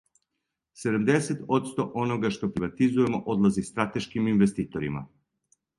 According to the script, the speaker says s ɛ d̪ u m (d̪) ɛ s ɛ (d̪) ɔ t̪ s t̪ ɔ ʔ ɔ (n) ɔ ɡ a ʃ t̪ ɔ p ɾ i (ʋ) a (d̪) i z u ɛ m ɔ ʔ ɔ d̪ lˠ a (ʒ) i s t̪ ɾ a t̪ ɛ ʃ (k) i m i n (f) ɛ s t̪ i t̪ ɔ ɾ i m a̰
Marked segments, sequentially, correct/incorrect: correct, incorrect: t̪, correct, incorrect: v, incorrect: t̪, incorrect: z, correct, incorrect: v

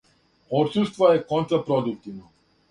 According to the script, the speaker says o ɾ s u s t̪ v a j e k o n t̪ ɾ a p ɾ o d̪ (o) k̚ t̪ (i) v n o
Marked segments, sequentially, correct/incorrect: incorrect: u, correct

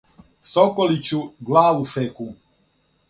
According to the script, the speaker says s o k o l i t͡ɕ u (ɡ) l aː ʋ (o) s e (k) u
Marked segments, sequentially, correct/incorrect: correct, incorrect: u, correct

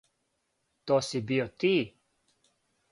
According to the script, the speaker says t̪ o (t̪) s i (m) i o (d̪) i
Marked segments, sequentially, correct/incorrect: incorrect: none, incorrect: b, incorrect: t̪

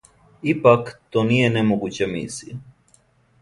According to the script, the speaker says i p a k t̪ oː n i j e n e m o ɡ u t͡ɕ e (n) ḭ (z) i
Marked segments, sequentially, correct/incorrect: incorrect: m, incorrect: s

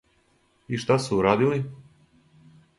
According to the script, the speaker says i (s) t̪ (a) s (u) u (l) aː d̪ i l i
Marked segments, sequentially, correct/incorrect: incorrect: ʃ, correct, correct, incorrect: ɾ

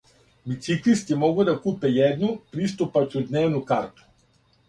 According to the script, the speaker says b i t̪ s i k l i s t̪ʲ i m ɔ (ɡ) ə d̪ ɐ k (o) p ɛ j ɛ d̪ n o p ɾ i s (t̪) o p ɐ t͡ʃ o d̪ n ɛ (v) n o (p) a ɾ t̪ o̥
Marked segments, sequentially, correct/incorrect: correct, incorrect: u, correct, correct, incorrect: k

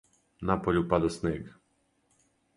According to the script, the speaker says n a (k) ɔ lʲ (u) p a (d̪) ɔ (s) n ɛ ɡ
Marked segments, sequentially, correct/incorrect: incorrect: p, correct, correct, correct

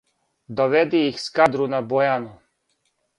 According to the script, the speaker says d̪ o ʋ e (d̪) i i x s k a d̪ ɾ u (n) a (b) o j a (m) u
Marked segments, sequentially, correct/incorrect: correct, correct, correct, incorrect: n

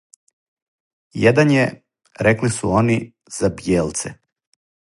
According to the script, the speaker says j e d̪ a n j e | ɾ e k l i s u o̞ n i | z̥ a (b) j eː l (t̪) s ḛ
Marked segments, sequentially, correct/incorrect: correct, correct

